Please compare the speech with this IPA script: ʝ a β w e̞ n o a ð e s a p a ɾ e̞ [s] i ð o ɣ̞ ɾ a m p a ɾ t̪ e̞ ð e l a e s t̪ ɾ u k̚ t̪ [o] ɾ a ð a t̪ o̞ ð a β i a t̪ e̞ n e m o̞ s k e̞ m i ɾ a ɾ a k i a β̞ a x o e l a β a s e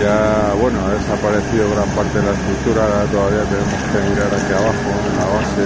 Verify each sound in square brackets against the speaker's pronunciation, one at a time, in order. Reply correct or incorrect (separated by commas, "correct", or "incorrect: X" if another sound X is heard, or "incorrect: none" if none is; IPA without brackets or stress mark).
incorrect: θ, incorrect: u